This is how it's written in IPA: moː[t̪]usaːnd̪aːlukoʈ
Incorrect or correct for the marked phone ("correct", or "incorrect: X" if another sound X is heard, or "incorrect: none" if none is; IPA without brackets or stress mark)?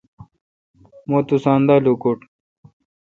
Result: correct